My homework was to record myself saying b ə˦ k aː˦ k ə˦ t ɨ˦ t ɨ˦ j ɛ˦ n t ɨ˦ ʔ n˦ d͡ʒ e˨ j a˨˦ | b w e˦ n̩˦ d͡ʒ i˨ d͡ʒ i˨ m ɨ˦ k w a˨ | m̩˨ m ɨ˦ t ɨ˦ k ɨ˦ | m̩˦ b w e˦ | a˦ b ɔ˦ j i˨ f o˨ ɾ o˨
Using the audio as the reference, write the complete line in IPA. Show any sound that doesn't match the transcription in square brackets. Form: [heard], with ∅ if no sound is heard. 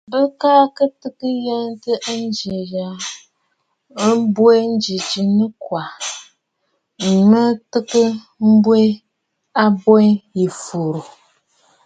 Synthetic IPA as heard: b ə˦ k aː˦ k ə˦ t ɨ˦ [k] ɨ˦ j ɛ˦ n t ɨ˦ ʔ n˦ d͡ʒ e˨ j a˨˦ | b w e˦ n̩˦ d͡ʒ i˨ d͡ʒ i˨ [n] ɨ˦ k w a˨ | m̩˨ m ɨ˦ t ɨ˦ k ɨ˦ | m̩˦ b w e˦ | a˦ b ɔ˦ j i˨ f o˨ ɾ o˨